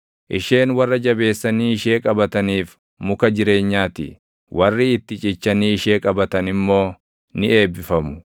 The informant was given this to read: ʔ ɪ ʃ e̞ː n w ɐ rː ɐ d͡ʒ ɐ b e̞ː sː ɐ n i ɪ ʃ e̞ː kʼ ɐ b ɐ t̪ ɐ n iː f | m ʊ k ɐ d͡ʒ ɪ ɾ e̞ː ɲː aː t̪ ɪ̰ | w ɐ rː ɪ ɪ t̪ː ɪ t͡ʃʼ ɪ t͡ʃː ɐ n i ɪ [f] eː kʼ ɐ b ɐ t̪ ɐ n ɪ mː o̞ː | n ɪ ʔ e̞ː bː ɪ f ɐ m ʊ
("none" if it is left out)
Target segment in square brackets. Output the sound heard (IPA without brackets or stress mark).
ʃ